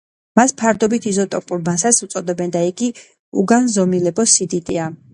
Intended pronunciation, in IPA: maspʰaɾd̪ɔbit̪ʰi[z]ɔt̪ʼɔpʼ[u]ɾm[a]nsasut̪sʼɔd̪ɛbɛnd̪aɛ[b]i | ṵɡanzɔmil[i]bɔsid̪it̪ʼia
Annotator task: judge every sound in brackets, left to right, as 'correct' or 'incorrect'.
correct, correct, correct, incorrect: ɡ, incorrect: ɛ

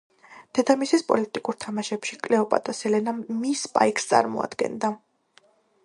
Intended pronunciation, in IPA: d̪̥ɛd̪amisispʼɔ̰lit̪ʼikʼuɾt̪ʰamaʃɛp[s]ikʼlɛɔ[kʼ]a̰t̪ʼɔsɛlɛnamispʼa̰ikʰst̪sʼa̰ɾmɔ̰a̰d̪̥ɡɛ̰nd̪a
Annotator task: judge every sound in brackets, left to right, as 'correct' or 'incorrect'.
incorrect: ʃ, incorrect: pʼ

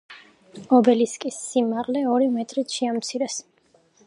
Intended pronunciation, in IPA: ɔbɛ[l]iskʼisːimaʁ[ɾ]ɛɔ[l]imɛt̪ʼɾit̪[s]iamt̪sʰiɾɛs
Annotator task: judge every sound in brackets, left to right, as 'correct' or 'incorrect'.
correct, incorrect: l, incorrect: ɾ, incorrect: ʃ

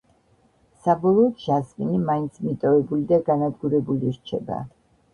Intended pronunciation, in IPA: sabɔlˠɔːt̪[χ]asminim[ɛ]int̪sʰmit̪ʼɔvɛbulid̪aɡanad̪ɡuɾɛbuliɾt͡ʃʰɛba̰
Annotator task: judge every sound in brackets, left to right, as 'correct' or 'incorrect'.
incorrect: ʃ, incorrect: a

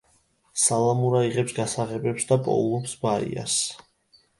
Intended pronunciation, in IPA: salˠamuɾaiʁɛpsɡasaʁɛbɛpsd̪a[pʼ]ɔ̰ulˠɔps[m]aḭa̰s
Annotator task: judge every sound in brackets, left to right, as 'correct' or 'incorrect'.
correct, incorrect: b

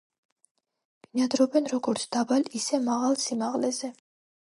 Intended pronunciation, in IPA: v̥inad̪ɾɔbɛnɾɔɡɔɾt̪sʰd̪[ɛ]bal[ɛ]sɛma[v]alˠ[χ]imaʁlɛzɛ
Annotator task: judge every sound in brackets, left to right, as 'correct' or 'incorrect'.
incorrect: a, incorrect: i, incorrect: ʁ, incorrect: s

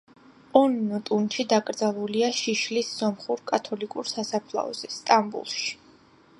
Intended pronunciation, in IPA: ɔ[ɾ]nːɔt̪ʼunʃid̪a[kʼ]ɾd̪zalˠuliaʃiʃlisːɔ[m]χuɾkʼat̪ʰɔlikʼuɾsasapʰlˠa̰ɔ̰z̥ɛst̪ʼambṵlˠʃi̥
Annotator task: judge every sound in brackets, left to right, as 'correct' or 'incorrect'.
incorrect: none, correct, correct

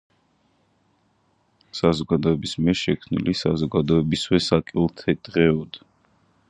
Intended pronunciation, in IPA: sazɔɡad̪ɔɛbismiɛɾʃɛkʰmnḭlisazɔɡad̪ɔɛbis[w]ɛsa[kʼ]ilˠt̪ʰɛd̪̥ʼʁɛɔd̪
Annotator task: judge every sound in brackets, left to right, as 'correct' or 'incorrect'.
correct, correct

